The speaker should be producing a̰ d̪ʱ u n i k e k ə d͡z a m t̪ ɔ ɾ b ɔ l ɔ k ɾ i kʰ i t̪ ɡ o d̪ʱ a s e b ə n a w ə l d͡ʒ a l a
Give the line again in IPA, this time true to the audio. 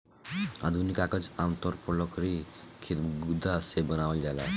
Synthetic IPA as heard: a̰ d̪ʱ u n i k a k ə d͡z a m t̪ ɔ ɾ p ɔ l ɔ k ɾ i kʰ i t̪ ɡ u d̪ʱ a s e b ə n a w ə l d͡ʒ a l a